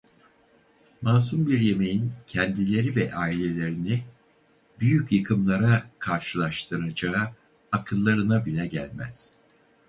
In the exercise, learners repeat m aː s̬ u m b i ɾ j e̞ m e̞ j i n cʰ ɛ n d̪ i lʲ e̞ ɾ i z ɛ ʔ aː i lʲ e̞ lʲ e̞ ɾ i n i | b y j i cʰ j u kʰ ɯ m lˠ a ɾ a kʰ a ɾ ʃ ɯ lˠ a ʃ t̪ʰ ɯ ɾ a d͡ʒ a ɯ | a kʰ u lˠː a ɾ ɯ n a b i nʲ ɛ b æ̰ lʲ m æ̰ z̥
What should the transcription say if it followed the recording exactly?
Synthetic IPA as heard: m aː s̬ u m b i ɾ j e̞ m e̞ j i n cʰ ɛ n d̪ i lʲ e̞ ɾ i v ɛ ʔ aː i lʲ e̞ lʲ e̞ ɾ i n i | b y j y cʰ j ɯ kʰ ɯ m lˠ a ɾ a kʰ a ɾ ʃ ɯ lˠ a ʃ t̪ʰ ɯ ɾ a d͡ʒ a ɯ | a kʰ ɯ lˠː a ɾ ɯ n a b i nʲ ɛ ɟ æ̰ lʲ m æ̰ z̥